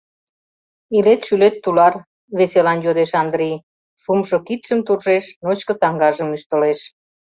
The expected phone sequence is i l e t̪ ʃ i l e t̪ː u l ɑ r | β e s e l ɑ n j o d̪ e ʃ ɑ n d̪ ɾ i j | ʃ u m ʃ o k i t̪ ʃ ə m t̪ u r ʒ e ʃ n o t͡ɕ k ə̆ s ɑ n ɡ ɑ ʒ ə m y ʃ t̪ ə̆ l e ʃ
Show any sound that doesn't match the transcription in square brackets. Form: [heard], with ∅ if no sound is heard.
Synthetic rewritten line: i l e t̪ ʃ [y] l e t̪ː u l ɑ r | β e s e l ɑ n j o d̪ e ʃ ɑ n d̪ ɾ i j | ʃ u m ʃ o k i t̪ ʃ ə m t̪ u r ʒ e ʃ n o t͡ɕ k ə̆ s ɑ [ŋ] ɡ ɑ ʒ ə m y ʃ t̪ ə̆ l e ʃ

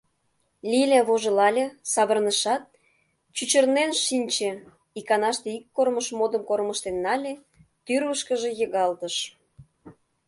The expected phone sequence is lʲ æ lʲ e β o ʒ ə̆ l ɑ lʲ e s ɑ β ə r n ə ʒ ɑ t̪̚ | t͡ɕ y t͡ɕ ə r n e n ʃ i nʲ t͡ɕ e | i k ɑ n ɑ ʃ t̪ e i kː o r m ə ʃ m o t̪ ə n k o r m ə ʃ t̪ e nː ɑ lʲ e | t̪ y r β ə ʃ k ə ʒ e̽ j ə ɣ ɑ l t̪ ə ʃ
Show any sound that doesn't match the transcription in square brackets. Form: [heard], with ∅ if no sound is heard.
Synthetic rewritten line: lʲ [i] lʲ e β o ʒ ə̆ l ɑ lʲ e s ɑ β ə r n ə [ʃ] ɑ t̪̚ | t͡ɕ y t͡ɕ ə r n e n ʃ i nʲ t͡ɕ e | i k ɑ n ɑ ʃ t̪ e i kː o r m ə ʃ m o [d̪] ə [m] k o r m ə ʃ t̪ e nː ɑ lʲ e | t̪ y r β ə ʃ k ə ʒ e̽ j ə ɣ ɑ l t̪ ə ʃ

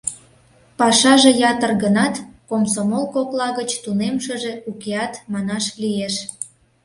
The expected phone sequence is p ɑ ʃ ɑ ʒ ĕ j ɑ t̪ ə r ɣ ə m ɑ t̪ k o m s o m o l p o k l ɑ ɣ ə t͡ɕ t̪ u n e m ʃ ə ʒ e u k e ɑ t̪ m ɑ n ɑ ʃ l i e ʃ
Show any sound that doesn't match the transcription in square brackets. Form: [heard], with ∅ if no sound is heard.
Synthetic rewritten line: p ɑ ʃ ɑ ʒ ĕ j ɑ t̪ ə r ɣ ə [n] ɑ t̪ k o m s o m o l [k] o k l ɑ ɣ ə t͡ɕ t̪ u n e m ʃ ə ʒ e u k e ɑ t̪ m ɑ n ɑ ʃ l i e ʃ

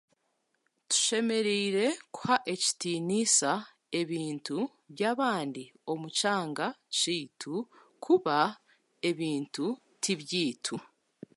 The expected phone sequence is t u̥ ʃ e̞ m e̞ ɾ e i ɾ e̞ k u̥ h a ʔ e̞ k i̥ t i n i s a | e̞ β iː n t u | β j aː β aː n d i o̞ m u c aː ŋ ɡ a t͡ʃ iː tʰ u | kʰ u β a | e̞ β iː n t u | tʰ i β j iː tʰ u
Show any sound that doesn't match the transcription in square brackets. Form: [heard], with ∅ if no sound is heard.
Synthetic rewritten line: t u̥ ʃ e̞ m e̞ ɾ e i ɾ e̞ k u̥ h a ʔ e̞ [c] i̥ t i n i s a | e̞ β iː n t u | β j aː β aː n d i o̞ m u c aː ŋ ɡ a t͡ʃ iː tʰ u | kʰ u β a | e̞ β iː n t u | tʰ i β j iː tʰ u

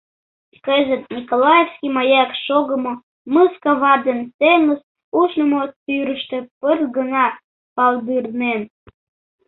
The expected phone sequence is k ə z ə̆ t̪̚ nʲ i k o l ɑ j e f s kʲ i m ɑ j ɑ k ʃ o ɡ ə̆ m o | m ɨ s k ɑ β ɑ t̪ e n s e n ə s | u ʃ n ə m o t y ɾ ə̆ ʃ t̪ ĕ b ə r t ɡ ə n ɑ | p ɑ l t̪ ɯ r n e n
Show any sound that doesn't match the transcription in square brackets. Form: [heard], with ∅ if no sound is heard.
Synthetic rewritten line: k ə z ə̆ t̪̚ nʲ i k o l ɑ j e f s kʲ i m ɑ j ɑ k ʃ o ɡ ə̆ m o | m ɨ s k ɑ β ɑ [d̪] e n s e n ə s | u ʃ n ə m o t y ɾ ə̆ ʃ t̪ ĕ [p] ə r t ɡ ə n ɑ | p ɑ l [d̪] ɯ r n e n

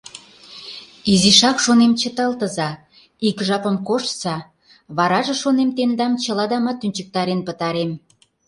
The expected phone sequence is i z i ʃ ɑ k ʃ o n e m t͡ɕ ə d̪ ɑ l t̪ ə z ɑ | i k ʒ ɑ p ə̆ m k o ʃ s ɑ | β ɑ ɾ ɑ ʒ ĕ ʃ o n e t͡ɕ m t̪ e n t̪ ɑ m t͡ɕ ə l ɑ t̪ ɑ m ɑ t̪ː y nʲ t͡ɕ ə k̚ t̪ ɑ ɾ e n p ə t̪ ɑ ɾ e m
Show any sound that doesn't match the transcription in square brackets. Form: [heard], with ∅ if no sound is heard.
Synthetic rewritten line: i z i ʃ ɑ k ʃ o n e m t͡ɕ ə [t̪] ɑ l t̪ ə z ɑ | i k ʒ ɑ p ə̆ m k o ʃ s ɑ | β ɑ ɾ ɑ ʒ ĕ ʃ o n e [∅] m t̪ e n [d̪] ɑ m t͡ɕ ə l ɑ [d̪] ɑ m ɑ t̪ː y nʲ t͡ɕ ə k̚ t̪ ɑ ɾ e n p ə t̪ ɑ ɾ e m

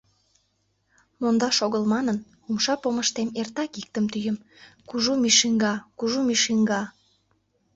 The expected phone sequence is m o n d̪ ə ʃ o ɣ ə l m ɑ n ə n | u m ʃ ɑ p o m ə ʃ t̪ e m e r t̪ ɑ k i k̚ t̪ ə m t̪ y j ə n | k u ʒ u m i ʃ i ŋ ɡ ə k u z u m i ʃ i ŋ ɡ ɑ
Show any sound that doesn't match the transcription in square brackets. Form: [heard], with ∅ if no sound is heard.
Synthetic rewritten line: m o n d̪ [ɑ] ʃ o ɣ ə l m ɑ n ə n | u m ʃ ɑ p o m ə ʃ t̪ e m e r t̪ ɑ k i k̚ t̪ ə m t̪ y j ə [m] | k u ʒ u m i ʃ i ŋ ɡ [ɑ] k u [ʒ] u m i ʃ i ŋ ɡ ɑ

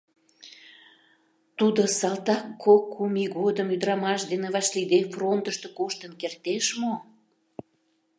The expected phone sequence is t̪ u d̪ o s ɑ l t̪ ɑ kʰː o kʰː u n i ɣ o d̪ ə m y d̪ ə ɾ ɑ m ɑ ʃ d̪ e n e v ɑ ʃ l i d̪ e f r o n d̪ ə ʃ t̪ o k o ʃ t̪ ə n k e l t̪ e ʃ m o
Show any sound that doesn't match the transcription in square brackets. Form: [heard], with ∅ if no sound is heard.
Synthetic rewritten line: t̪ u d̪ o s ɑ l t̪ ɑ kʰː o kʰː u [m] i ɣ o d̪ ə m y d̪ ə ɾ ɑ m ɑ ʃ d̪ e n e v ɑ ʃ l i d̪ e f r o n [t̪] ə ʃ t̪ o k o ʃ t̪ ə n k e [r] t̪ e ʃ m o

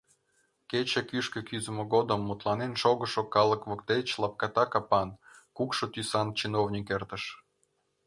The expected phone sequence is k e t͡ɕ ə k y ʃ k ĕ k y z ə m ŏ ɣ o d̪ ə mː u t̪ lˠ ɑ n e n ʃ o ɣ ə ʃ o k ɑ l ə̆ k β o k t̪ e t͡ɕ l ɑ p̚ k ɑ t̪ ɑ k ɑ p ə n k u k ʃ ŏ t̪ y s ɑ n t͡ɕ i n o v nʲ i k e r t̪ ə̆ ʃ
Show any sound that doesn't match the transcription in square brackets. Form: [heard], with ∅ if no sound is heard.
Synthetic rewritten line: k e t͡ɕ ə k y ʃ k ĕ k y z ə m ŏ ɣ o d̪ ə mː u t̪ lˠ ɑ n e n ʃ o ɣ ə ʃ o k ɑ l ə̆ k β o k t̪ e t͡ɕ l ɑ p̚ k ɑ t̪ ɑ k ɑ p [ɑ] n k u k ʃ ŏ t̪ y s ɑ n t͡ɕ i n o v nʲ i k e r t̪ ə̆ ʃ

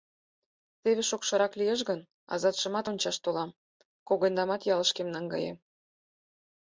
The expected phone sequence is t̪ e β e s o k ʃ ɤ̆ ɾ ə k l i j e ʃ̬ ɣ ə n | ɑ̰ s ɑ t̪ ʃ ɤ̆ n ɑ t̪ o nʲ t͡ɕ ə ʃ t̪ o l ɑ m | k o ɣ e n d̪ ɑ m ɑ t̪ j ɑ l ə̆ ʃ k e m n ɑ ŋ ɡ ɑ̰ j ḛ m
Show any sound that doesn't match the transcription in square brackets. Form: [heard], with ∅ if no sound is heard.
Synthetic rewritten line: t̪ e β e [ʃ] o k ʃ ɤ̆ ɾ [ɑ] k l i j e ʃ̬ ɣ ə n | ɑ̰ [z] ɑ t̪ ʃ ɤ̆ [m] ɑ t̪ o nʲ t͡ɕ [ɑ] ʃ t̪ o l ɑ m | k o ɣ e n d̪ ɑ m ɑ t̪ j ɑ l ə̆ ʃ k e m n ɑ ŋ ɡ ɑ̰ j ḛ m

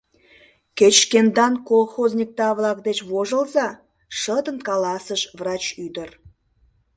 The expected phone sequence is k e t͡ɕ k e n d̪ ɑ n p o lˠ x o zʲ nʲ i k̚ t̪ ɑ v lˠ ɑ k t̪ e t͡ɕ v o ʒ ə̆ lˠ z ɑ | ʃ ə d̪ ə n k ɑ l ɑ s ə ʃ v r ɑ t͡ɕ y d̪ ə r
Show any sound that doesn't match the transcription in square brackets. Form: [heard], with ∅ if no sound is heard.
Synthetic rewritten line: k e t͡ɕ k e n d̪ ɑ n [k] o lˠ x o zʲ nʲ i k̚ t̪ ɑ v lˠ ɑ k [d̪] e t͡ɕ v o ʒ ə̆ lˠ z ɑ | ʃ ə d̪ ə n k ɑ l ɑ s ə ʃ v r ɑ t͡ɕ y d̪ ə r

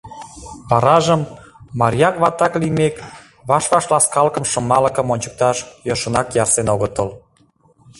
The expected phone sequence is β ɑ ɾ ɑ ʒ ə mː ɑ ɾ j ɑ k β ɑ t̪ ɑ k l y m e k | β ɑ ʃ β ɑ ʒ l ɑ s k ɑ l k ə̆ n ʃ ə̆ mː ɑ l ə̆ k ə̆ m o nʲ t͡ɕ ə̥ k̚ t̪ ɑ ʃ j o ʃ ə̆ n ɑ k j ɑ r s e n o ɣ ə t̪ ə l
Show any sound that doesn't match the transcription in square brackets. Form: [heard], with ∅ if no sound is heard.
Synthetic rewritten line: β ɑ ɾ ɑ ʒ ə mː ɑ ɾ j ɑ k β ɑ t̪ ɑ k l [i] m e k | β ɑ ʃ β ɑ [ʃ] l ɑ s k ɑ l k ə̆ [m] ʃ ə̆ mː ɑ l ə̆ k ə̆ m o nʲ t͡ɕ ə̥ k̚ t̪ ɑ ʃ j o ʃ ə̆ n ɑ k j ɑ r s e n o ɣ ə t̪ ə l

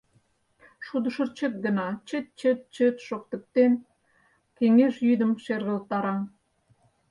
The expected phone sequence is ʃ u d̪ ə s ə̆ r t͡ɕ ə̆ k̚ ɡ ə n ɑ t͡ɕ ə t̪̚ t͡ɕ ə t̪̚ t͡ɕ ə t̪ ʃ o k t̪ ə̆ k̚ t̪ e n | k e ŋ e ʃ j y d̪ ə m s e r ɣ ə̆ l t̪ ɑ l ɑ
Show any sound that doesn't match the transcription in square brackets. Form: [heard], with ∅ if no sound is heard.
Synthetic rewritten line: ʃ u d̪ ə [ʃ] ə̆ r t͡ɕ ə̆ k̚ ɡ ə n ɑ t͡ɕ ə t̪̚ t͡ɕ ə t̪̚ t͡ɕ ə t̪ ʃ o k t̪ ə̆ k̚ t̪ e n | k e ŋ e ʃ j y d̪ ə m [ʃ] e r ɣ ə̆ l t̪ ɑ [ɾ] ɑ

